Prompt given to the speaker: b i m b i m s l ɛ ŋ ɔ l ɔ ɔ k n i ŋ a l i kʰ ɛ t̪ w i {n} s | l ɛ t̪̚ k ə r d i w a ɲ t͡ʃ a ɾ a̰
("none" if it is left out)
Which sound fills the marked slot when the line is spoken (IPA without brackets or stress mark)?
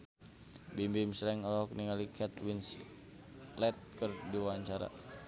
n